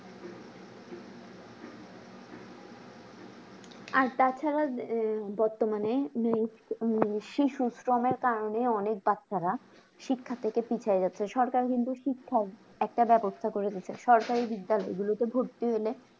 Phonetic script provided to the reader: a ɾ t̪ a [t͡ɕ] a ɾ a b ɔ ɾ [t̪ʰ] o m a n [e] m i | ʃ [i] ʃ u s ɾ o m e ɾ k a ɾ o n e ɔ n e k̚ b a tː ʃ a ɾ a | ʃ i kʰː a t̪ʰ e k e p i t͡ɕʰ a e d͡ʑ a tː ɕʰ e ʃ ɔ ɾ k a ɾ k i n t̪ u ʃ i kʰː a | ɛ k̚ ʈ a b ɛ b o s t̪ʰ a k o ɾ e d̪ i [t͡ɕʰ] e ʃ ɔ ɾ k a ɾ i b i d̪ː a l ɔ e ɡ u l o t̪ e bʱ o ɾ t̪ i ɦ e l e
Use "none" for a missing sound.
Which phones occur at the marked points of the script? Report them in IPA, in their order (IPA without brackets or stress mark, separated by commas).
t͡ɕʰ, t̪, e, i, t͡ɕʰ